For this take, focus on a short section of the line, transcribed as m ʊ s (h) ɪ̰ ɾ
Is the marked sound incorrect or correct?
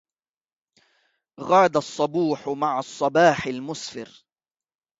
incorrect